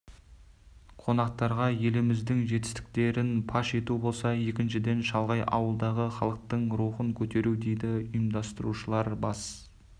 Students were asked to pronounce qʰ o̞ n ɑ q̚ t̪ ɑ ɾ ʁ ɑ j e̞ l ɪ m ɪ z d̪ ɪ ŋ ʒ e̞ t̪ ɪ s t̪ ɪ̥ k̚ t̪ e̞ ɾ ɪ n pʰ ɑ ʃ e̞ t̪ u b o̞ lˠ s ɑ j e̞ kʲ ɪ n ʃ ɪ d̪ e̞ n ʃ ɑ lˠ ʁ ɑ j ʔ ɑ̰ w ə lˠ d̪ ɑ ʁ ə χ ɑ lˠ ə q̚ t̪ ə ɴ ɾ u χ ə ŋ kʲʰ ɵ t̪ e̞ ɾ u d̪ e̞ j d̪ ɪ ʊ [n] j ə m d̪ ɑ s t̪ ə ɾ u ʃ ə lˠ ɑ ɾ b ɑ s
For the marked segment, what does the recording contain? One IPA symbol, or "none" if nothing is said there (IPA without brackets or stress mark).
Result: none